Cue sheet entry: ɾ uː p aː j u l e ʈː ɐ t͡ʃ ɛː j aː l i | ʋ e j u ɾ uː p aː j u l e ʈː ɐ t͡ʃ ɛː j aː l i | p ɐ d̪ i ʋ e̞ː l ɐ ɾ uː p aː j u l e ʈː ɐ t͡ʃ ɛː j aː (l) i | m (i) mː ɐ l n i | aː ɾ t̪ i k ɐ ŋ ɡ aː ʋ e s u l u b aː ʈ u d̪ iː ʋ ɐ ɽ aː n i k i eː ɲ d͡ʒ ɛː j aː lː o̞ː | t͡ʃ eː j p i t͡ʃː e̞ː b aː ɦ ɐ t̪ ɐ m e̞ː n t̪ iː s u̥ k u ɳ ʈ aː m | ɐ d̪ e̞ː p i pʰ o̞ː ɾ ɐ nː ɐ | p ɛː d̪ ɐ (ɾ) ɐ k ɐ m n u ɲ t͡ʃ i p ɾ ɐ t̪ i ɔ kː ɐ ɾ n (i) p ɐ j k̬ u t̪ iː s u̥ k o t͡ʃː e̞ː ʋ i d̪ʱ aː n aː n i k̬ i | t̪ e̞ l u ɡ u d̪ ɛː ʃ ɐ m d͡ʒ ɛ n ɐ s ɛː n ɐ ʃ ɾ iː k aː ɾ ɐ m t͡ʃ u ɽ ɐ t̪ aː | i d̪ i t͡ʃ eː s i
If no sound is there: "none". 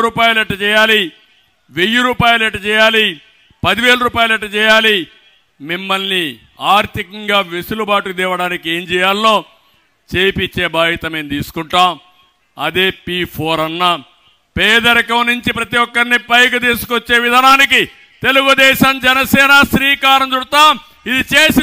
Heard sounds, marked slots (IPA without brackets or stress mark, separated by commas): l, i, ɾ, i